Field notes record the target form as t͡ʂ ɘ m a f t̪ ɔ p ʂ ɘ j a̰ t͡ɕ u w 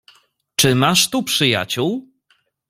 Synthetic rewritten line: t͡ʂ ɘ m a ʂ t̪ u p ʂ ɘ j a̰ t͡ɕ u w